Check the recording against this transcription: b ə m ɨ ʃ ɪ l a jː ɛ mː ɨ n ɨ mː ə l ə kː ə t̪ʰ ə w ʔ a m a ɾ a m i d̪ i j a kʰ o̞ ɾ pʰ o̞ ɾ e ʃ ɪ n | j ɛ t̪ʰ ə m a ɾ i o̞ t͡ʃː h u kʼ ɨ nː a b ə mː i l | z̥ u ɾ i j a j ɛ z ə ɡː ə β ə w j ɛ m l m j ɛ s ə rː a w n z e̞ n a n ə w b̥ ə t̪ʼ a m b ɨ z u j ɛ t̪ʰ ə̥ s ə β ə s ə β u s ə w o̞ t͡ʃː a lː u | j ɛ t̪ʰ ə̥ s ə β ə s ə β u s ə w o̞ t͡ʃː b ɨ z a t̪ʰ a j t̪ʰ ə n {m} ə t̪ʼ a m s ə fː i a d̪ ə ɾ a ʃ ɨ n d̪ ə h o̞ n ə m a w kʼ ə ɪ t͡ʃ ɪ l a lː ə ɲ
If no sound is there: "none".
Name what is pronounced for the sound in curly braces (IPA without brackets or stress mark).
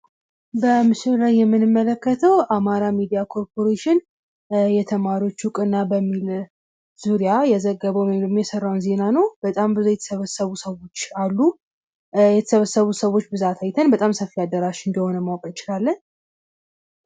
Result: b